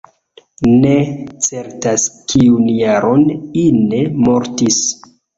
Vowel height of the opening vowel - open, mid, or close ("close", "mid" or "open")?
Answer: mid